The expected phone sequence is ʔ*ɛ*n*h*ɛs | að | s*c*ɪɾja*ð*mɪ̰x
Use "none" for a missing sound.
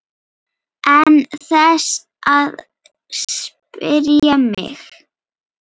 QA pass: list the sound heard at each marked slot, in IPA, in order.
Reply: ɛ, θ, p, none

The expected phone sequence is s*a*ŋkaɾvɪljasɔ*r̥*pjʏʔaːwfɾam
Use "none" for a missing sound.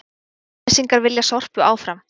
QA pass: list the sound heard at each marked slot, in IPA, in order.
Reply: i, r̥

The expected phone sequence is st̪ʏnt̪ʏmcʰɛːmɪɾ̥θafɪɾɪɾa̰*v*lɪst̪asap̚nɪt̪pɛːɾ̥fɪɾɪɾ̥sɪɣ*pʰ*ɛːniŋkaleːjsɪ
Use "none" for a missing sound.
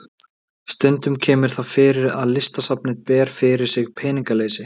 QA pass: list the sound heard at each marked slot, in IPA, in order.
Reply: ð, pʰ

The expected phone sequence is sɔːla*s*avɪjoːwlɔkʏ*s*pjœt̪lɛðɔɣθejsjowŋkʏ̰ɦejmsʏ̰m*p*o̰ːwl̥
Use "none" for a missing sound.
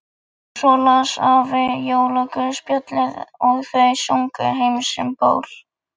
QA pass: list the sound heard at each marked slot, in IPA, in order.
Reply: s, s, p

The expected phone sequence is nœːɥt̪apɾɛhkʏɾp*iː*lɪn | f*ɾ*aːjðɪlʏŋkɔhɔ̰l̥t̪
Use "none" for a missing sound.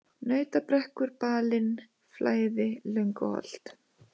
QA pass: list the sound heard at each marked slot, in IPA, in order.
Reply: aː, l

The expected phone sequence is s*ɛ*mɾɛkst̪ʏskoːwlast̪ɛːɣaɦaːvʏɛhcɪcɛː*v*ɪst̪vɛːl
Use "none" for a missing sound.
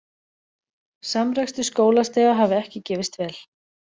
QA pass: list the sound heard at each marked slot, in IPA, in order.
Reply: a, v

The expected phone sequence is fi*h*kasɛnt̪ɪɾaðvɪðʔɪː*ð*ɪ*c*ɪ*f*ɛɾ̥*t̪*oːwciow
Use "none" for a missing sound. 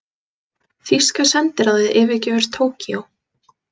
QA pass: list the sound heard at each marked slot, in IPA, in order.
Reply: s, v, c, v, t̪ʰ

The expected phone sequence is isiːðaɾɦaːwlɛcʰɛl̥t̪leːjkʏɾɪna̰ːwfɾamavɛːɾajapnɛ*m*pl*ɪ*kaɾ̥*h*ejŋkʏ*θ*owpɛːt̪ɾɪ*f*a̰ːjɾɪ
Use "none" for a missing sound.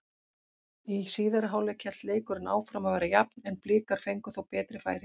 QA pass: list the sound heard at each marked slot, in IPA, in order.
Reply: n, ɪː, f, θ, f

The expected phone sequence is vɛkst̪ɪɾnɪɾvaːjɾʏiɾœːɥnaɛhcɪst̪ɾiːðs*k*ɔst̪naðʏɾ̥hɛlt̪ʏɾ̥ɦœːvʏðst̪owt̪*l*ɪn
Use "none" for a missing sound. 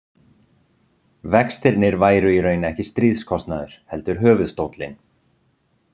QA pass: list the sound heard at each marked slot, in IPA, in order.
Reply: kʰ, l

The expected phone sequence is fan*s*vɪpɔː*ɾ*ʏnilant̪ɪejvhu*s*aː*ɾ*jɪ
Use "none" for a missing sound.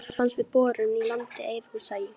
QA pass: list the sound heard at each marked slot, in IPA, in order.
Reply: s, ɾ, s, none

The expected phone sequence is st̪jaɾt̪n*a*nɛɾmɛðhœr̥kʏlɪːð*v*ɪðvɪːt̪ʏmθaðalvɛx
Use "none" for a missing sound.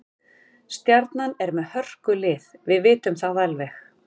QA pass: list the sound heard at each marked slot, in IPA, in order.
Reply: a, v

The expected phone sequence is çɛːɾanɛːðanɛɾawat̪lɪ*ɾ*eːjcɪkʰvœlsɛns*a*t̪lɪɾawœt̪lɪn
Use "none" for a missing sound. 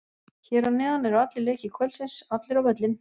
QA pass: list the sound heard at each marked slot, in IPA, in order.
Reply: l, a

